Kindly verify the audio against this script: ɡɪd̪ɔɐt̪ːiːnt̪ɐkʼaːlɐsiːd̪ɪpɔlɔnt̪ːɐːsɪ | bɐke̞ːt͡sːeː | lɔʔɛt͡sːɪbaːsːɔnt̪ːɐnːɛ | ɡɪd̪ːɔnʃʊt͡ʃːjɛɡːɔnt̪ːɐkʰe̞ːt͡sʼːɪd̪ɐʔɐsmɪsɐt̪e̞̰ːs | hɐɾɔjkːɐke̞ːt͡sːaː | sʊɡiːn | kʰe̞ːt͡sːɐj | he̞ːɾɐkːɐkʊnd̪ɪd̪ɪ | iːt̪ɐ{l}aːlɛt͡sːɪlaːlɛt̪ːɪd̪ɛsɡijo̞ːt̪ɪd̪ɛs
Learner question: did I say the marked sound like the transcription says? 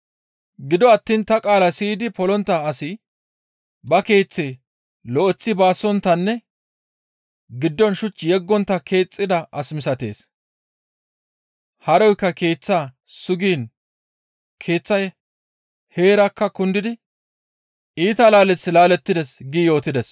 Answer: yes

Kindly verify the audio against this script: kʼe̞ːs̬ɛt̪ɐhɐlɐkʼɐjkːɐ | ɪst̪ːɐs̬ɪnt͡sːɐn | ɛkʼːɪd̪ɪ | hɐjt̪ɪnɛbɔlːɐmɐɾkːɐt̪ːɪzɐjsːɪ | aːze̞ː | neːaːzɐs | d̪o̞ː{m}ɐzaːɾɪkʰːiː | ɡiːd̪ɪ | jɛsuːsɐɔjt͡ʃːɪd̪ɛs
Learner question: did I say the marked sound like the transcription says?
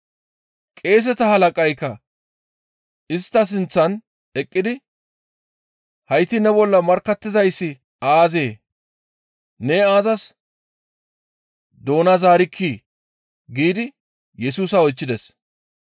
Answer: no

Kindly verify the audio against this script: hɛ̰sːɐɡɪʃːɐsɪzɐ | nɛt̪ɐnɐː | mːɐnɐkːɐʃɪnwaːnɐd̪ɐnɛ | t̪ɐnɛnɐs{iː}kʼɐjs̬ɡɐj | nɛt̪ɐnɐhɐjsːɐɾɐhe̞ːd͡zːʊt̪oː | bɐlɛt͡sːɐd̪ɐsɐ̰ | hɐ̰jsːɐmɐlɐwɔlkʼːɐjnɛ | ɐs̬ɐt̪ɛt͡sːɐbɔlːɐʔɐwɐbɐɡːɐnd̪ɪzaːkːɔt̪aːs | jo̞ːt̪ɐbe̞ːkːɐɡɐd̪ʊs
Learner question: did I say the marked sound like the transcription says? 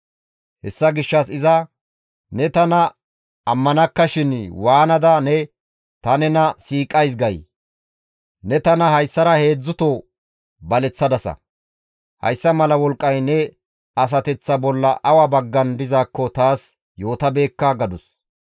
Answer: yes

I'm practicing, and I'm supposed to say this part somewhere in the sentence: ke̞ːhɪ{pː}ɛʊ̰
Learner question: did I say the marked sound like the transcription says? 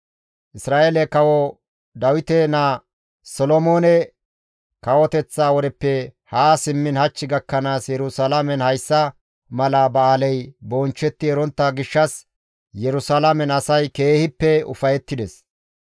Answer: yes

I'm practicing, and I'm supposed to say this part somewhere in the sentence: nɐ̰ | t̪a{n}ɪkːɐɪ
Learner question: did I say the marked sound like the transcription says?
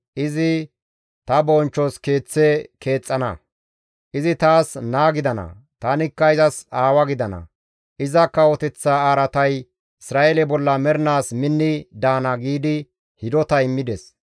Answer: yes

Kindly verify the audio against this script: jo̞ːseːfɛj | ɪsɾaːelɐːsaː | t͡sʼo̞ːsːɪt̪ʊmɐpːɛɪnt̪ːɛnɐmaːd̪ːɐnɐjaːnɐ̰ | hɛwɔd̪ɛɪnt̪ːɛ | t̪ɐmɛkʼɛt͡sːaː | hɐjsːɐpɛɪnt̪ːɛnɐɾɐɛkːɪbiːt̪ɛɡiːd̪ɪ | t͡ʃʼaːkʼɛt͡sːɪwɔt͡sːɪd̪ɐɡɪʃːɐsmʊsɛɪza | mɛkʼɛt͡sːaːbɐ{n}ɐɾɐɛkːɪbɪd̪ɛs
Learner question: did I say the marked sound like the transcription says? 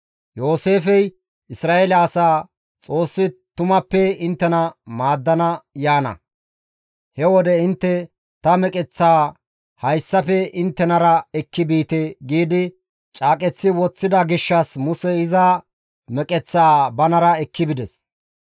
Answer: yes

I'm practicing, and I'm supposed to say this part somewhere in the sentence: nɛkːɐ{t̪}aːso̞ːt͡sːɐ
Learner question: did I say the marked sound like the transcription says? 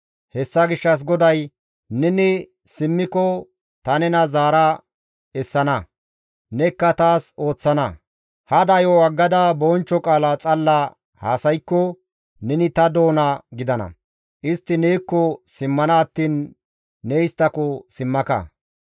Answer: yes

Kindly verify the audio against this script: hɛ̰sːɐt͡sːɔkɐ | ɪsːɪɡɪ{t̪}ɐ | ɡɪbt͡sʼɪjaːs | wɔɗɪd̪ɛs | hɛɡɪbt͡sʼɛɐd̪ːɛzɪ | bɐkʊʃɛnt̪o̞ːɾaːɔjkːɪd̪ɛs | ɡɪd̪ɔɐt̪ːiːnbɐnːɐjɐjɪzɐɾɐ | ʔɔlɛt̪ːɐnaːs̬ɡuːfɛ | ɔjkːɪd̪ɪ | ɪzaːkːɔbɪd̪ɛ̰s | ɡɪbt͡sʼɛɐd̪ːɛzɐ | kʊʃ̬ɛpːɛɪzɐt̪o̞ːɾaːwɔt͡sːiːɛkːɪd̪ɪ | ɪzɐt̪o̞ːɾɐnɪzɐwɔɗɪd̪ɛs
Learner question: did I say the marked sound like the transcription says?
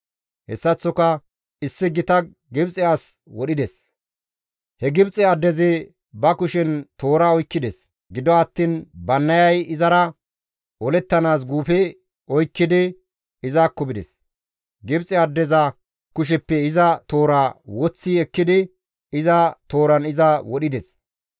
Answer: yes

